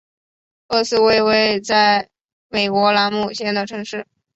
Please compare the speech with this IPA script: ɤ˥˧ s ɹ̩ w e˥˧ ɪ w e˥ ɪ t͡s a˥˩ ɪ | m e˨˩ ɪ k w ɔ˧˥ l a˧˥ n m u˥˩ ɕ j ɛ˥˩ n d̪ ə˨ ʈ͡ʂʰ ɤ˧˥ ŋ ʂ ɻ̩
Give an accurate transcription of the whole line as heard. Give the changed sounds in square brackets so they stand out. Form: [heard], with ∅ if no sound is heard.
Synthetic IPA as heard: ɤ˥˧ s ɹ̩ w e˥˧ ɪ w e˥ ɪ t͡s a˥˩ ɪ | m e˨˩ ɪ k w ɔ˧˥ l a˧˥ n m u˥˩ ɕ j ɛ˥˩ n d̪ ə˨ ʈ͡ʂʰ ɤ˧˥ ŋ ʂ ɻ̩